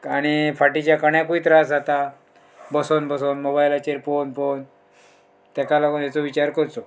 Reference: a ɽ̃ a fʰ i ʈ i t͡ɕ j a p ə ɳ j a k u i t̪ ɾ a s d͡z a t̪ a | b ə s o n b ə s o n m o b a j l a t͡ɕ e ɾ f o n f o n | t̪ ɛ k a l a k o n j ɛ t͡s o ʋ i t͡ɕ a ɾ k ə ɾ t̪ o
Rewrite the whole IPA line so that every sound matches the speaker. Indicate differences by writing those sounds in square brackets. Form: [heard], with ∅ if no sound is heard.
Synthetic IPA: a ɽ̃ [i] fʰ [a] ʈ i t͡ɕ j a [k] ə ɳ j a k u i t̪ ɾ a s d͡z a t̪ a | b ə s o n b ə s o n m o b a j l a t͡ɕ e ɾ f o n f o n | t̪ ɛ k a l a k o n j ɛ t͡s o ʋ i t͡ɕ a ɾ k ə ɾ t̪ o